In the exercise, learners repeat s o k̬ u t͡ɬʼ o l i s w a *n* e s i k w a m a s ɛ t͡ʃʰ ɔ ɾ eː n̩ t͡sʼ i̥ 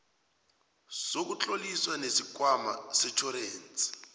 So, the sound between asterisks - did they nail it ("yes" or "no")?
yes